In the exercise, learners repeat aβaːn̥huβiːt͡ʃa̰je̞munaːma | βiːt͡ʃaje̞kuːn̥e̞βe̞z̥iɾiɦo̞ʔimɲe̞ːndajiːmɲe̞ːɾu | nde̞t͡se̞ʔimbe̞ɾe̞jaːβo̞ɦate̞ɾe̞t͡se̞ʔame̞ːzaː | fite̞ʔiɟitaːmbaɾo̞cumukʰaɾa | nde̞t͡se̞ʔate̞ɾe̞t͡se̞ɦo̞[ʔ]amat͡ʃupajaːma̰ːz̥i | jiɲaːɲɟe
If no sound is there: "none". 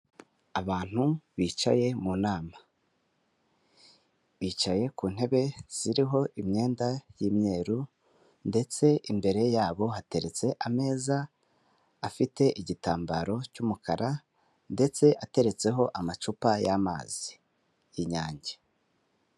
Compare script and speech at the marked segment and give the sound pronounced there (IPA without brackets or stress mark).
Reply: ʔ